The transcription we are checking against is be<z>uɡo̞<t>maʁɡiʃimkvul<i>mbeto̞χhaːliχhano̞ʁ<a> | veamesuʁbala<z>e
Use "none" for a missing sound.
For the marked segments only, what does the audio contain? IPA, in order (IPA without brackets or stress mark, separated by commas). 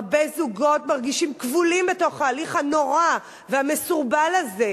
z, t, i, a, z